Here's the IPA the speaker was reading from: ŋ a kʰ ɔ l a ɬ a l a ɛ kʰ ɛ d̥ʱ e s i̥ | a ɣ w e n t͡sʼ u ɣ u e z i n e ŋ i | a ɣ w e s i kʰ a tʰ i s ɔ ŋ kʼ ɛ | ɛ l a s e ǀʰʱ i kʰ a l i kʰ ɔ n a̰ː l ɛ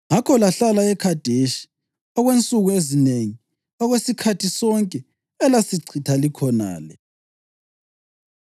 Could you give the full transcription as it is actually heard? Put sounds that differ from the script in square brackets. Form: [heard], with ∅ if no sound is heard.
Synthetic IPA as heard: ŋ a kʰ ɔ l a ɬ a l a ɛ kʰ [a] d̥ʱ e [ʃ] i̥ | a ɣ w e n t͡sʼ u ɣ u e z i n e ŋ i | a ɣ w e s i kʰ a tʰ i s ɔ ŋ kʼ ɛ | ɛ l a s [i] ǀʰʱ i [tʰ] a l i kʰ ɔ n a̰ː l ɛ